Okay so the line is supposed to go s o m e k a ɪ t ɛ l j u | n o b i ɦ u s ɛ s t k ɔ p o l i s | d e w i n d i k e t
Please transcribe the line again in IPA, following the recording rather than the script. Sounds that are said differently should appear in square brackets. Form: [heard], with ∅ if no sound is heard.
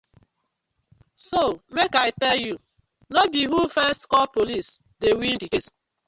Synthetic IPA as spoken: s o m e k a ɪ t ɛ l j u | n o b i ɦ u [f] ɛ s t k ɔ p o l i s | d e w i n d i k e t